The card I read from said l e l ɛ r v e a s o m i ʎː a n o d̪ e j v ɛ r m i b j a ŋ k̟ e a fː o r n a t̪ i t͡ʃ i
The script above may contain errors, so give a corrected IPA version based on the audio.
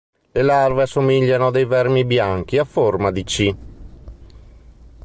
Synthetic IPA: l e l a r v e a s o m i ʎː a n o d̪ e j v ɛ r m i b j a ŋ k̟ i a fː o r m a d̪ i t͡ʃ i